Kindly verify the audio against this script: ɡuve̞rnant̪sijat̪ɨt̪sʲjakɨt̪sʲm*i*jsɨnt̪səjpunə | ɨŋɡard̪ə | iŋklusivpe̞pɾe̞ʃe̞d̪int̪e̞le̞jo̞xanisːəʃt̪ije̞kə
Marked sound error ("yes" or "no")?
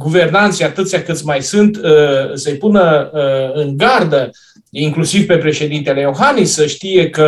yes